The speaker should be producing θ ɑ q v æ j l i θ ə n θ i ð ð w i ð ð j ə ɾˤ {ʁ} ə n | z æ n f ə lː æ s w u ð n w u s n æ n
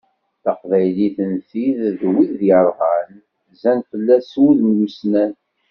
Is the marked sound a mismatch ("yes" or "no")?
no